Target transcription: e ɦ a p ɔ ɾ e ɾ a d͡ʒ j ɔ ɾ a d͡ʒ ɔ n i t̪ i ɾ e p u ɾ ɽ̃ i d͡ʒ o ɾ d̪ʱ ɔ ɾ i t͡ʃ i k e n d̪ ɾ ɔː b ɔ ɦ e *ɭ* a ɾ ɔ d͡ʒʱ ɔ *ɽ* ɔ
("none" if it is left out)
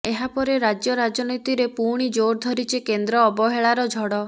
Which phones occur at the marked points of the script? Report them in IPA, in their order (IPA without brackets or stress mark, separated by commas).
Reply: ɭ, ɽ